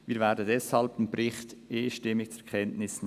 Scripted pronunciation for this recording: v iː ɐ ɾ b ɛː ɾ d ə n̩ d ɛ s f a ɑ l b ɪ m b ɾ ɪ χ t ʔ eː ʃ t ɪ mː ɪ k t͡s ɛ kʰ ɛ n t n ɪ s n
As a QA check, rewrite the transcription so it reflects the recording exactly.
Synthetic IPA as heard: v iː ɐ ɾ v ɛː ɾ d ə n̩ d ɛ s h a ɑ l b ɪ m b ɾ ɪ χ t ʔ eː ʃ t ɪ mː ɪ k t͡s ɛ kʰ ɛ n t n ɪ s n